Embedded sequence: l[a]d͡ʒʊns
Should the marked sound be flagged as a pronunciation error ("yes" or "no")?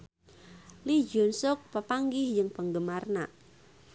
yes